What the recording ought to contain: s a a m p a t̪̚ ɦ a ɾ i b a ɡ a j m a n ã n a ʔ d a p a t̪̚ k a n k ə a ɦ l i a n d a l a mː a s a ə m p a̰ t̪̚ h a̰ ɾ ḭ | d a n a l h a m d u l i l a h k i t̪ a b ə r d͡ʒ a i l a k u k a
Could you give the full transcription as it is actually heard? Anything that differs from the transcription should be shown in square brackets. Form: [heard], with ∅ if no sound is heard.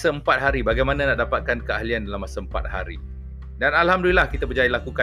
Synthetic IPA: s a [ə] m p a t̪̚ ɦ a ɾ i b a ɡ a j m a n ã n a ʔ d a p a t̪̚ k a n k ə a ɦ l i a n d a l a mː a s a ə m p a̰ t̪̚ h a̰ ɾ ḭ | d a n a l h a m d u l i l a h k i t̪ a b ə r d͡ʒ a i l a k u k a